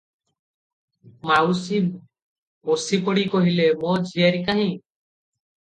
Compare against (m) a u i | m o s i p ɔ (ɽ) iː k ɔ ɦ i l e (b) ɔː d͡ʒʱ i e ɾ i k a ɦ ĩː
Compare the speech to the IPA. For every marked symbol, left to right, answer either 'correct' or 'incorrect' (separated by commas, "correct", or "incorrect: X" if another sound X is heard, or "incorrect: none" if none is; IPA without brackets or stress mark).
correct, correct, incorrect: m